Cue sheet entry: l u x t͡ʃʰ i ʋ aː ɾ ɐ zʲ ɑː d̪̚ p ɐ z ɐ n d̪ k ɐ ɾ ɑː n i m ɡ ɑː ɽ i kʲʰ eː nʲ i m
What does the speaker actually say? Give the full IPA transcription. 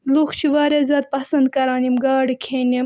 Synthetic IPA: l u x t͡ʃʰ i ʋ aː ɾ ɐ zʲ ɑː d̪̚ p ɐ s ɐ n d̪ k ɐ ɾ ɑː n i m ɡ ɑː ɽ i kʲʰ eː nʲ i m